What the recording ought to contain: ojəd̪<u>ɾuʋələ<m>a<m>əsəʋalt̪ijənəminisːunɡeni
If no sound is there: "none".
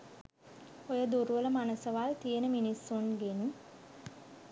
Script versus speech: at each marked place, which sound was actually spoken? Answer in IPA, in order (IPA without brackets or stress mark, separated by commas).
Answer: u, m, n